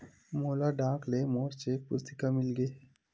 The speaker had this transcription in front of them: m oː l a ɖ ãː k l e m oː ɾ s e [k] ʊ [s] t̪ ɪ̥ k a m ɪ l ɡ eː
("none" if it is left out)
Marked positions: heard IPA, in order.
p, s

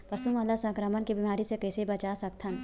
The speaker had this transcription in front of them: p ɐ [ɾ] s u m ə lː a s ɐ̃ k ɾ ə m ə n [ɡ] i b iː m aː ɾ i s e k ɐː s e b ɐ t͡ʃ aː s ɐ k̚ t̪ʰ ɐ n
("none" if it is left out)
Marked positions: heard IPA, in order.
none, k

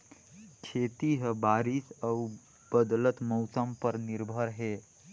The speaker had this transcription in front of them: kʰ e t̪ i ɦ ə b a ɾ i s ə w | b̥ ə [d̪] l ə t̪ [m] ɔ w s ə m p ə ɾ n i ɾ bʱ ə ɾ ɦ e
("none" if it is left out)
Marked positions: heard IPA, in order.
d̪, m

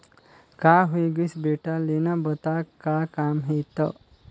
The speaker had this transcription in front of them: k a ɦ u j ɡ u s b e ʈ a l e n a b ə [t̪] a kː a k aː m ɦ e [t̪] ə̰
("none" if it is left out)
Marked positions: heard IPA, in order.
t̪, t̪

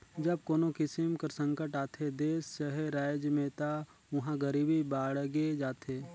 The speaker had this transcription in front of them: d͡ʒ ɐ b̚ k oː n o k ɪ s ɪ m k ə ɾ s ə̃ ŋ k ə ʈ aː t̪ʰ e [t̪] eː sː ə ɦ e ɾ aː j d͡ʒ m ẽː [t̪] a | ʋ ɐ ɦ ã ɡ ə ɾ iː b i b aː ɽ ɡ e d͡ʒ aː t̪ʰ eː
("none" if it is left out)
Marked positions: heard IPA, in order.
d̪, t̪

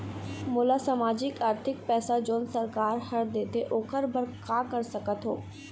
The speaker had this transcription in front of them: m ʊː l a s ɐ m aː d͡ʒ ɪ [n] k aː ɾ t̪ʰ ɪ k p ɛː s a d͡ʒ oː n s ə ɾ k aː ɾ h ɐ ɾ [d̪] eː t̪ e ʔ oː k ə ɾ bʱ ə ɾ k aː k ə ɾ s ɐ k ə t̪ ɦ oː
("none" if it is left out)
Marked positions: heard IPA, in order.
none, d̪

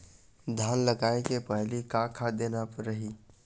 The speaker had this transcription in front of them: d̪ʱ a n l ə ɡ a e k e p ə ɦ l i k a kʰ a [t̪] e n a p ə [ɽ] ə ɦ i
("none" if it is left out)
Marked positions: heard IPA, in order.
d̪, ɾ

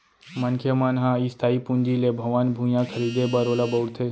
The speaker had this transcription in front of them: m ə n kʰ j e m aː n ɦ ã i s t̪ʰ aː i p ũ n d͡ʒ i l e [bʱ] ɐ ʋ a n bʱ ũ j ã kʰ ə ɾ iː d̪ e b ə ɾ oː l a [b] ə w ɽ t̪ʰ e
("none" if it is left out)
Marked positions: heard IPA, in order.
bʱ, b

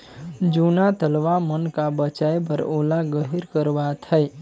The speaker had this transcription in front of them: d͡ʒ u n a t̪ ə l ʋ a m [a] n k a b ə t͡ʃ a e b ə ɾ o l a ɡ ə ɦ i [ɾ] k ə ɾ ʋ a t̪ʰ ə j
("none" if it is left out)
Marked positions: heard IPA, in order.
ə, ɾ

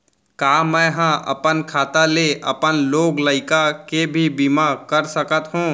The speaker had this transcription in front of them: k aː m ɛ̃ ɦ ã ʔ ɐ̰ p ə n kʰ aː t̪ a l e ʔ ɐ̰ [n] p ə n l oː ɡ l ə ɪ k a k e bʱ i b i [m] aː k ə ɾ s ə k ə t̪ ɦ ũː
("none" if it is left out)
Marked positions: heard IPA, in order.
none, m

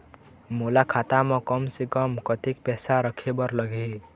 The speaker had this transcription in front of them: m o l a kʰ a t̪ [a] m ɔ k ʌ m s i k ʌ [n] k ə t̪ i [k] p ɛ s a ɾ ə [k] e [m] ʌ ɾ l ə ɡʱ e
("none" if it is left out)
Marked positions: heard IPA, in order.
a, m, k, kʰ, b

